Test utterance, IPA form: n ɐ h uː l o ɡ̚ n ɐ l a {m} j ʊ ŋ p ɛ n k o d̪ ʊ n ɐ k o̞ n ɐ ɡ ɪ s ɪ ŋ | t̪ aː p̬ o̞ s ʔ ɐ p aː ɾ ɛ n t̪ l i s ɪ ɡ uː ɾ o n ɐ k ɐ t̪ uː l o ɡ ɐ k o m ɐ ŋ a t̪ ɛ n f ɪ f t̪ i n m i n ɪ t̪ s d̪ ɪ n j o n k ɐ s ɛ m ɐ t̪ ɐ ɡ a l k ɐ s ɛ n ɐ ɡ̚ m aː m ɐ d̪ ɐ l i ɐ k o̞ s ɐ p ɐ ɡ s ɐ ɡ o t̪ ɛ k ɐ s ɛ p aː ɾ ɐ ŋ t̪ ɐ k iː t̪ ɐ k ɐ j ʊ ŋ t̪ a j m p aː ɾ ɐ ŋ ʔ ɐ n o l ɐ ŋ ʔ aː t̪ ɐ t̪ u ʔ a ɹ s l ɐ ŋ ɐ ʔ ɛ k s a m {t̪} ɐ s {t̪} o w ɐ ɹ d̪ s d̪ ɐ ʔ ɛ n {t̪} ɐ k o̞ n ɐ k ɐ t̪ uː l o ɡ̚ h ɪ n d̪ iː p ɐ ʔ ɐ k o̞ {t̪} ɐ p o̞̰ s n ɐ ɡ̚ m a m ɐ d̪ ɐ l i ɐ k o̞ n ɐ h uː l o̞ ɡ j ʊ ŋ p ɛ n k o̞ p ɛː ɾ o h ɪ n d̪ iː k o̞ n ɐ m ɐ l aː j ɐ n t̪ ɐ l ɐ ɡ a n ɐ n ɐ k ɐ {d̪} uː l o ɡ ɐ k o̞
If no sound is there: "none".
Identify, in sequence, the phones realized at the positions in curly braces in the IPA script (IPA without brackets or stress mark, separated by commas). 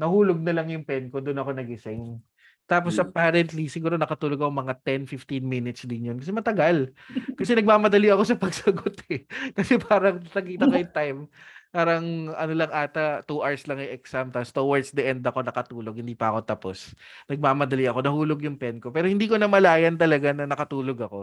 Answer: ŋ, t̪, t̪, d̪, t̪, t̪